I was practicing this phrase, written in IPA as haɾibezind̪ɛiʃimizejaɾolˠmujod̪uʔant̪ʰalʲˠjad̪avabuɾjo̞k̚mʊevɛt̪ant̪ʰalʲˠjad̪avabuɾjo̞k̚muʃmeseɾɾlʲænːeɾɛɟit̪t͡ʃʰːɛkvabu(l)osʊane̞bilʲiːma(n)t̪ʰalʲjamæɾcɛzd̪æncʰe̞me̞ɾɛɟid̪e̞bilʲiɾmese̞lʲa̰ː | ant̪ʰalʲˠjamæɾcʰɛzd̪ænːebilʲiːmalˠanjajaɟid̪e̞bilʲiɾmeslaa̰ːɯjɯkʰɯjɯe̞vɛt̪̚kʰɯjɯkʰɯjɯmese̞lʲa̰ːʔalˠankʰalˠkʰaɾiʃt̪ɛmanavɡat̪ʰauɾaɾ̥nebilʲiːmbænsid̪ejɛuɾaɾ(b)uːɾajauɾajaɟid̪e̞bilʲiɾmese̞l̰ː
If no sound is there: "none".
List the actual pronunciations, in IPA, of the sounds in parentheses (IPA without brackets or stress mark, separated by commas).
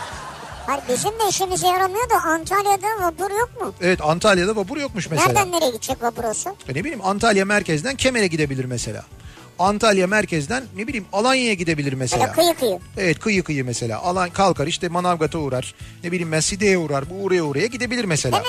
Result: ɾ, n, b